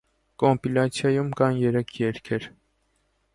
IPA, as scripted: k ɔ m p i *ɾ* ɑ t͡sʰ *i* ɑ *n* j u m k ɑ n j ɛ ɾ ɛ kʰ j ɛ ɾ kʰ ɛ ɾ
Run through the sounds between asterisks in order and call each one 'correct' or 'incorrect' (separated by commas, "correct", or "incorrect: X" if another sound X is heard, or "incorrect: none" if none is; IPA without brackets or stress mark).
incorrect: l, incorrect: j, incorrect: none